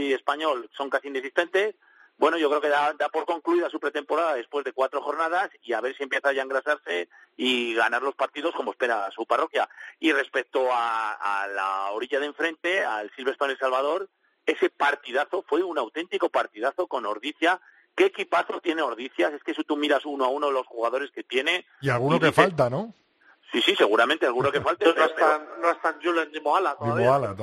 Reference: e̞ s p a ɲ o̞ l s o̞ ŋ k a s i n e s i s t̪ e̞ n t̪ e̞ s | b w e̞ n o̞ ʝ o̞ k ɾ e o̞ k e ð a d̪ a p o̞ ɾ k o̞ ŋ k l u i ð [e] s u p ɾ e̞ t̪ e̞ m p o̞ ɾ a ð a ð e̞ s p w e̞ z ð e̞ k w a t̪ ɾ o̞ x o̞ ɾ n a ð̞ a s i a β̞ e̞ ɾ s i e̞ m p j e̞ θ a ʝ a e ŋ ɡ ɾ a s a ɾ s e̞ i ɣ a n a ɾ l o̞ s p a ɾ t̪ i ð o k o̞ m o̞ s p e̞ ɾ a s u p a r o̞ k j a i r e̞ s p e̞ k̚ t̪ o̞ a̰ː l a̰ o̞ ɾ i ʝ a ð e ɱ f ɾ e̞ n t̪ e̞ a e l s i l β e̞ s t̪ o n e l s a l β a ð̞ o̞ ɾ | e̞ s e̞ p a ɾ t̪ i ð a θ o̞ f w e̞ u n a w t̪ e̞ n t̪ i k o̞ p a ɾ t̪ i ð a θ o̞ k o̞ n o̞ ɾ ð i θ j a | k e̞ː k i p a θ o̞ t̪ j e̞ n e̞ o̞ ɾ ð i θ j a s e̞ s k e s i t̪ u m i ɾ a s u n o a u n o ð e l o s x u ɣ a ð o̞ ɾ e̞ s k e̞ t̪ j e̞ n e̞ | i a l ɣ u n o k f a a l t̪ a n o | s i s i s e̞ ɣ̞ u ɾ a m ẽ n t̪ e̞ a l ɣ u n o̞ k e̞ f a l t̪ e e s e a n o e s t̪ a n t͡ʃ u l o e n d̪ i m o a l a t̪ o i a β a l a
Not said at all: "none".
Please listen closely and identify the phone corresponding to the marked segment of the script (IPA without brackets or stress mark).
a